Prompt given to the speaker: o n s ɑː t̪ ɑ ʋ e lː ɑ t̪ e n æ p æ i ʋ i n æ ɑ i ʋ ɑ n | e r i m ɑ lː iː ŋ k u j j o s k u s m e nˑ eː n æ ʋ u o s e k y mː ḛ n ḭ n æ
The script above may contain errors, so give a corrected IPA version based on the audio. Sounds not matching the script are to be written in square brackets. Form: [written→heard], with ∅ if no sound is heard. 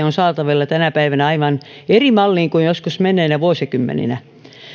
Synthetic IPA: o n s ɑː t̪ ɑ ʋ e lː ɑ t̪ [e→æ] n æ p æ i ʋ [i→æ] n æ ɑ i ʋ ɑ n | e r i m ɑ lː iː ŋ k u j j o s k u s m e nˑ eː n æ ʋ u o s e k y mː ḛ n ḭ n æ